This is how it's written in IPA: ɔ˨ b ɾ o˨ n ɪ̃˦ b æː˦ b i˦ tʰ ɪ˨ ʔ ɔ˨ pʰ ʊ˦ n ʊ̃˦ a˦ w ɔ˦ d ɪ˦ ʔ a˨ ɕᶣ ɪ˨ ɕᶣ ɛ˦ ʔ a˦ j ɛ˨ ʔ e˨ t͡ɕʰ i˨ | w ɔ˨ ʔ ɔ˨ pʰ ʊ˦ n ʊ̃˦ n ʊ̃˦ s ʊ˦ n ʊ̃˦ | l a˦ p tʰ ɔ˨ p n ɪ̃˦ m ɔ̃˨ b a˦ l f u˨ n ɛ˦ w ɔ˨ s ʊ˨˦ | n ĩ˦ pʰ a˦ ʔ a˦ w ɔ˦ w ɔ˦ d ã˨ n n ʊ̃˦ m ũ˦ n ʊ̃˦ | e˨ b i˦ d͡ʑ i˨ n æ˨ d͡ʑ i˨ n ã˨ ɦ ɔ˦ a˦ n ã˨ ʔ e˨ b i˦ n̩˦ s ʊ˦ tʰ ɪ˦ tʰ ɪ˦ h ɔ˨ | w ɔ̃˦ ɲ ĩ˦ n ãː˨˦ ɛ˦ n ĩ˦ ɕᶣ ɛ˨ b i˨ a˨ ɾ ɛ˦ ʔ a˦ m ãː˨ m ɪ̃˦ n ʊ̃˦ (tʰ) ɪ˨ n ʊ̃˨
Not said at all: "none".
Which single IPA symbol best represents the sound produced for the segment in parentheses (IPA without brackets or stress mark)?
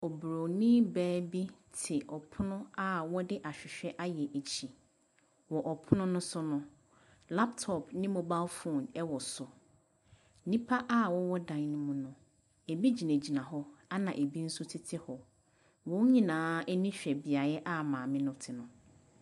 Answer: tʰ